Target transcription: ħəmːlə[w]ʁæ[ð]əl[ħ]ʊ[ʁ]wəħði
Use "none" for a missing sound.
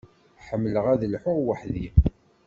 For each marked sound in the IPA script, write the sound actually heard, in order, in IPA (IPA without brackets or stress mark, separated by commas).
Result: none, ð, ħ, ʁ